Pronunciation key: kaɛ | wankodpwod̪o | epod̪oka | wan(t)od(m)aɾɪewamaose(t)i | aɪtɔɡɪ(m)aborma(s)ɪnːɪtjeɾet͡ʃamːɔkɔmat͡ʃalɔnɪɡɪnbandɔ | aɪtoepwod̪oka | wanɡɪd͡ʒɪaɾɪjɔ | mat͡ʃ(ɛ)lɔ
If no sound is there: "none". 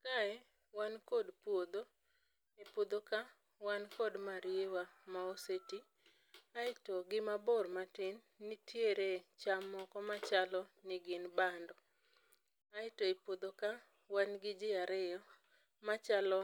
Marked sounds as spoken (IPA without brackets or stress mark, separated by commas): k, m, t, m, t, a